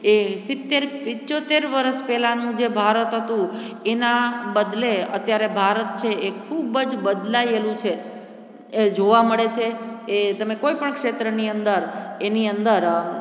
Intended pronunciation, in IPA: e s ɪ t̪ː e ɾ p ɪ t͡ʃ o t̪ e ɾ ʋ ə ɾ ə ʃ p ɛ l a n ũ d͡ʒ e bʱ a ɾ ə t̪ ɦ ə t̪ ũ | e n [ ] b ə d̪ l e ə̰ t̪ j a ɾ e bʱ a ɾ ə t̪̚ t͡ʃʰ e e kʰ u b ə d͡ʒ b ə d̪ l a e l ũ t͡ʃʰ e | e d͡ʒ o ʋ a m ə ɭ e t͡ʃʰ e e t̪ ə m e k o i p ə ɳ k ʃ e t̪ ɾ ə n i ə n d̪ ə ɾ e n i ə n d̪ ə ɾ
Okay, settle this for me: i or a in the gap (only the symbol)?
a